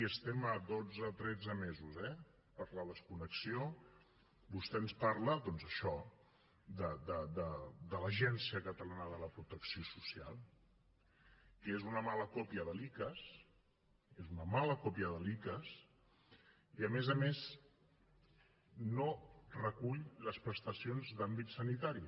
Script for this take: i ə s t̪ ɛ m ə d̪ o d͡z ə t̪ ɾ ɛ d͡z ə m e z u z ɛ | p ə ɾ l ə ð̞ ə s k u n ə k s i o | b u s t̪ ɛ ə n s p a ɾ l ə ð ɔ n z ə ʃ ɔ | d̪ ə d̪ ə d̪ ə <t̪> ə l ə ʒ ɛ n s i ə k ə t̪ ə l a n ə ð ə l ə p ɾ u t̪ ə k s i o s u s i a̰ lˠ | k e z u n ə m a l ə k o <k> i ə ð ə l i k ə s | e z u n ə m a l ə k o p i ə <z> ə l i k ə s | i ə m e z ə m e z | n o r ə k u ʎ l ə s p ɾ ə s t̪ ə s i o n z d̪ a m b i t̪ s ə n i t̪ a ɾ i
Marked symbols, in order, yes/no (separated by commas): no, no, no